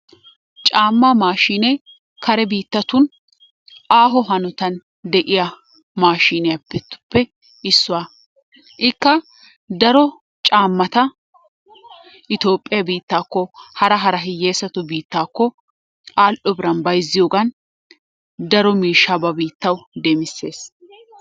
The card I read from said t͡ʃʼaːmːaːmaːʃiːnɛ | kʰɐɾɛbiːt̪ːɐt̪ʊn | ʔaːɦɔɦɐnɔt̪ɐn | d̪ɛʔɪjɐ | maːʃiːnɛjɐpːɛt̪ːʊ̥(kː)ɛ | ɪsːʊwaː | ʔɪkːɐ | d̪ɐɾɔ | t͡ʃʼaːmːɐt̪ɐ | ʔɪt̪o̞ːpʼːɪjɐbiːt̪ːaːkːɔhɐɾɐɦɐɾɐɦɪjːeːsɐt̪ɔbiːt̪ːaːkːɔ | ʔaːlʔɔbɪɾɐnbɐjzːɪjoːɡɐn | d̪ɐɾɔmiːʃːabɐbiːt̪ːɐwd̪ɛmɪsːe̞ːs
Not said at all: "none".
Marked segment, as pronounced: pː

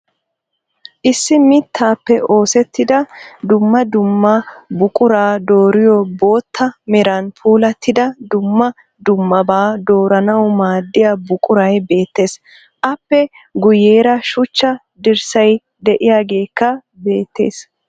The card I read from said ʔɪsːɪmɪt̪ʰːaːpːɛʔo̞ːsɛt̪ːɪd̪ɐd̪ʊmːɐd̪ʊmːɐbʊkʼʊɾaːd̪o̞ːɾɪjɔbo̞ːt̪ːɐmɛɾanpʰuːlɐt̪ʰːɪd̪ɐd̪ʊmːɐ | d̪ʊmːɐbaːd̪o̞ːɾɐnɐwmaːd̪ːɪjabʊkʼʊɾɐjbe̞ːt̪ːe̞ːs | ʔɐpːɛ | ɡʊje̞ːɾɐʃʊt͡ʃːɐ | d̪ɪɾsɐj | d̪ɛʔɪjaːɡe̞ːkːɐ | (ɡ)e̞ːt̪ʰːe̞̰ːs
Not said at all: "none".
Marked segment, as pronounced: b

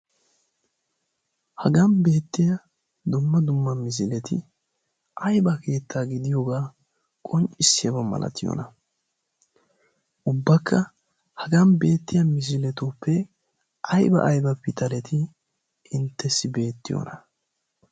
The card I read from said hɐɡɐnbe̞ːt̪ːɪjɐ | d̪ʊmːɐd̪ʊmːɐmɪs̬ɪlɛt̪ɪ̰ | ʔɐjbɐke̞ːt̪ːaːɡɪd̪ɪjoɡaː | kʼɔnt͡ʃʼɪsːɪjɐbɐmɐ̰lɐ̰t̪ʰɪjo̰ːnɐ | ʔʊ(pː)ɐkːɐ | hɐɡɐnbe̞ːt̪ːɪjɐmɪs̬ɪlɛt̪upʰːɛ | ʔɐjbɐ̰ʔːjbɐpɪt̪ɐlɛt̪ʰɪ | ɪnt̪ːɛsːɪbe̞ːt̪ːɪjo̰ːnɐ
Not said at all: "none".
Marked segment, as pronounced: bː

